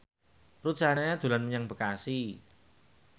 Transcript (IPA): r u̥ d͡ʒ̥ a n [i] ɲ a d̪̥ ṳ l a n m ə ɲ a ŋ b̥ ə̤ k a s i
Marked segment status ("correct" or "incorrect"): incorrect